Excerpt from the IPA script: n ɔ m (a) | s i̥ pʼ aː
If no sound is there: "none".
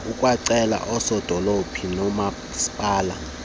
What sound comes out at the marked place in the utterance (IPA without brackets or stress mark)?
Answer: a